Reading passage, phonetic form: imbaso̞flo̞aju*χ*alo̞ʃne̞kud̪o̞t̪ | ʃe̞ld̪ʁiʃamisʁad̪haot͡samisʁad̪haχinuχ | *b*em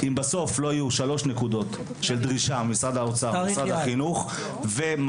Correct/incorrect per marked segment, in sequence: incorrect, incorrect

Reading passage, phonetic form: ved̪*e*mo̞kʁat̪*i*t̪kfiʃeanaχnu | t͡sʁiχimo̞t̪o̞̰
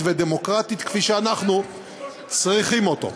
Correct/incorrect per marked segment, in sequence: correct, correct

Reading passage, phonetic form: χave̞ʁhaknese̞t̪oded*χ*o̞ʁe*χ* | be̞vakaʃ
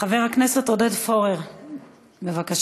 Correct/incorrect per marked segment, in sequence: incorrect, incorrect

